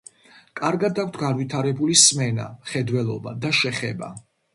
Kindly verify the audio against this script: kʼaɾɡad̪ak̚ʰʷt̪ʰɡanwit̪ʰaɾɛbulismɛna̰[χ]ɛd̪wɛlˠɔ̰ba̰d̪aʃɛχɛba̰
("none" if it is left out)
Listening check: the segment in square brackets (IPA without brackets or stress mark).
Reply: χ